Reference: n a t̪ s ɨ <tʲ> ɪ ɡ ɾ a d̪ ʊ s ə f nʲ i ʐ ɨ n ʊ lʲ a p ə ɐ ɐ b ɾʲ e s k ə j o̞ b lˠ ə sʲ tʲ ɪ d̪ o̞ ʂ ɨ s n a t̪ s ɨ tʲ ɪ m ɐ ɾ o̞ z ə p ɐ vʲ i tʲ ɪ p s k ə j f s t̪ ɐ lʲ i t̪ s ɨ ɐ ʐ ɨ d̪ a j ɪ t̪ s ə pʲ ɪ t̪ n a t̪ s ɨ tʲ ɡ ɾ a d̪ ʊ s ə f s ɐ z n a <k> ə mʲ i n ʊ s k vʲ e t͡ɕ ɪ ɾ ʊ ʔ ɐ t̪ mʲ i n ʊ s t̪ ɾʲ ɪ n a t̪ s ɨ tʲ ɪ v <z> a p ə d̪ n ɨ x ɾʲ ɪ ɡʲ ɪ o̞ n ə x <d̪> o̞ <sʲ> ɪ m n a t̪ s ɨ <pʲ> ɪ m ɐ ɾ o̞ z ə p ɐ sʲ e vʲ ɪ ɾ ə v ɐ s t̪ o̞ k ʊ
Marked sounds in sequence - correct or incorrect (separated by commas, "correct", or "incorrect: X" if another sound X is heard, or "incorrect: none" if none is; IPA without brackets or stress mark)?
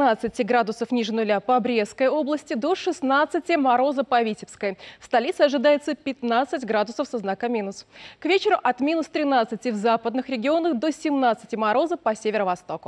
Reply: correct, correct, correct, correct, correct, incorrect: tʲ